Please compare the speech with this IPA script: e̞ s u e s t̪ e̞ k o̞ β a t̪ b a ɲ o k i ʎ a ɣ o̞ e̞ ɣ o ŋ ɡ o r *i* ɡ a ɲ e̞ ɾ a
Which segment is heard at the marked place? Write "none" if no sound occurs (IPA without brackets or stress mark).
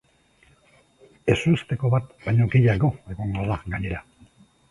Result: a